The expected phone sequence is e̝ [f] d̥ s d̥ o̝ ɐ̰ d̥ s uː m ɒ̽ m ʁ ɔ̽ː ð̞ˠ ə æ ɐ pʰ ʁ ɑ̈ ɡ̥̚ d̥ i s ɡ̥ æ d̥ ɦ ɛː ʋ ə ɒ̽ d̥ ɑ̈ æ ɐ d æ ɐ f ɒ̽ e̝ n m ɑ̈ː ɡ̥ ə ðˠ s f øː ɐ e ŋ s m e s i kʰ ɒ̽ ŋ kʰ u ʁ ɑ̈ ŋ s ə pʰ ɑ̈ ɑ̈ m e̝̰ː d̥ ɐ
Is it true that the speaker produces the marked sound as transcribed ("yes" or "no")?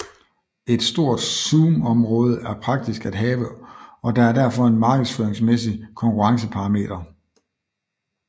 no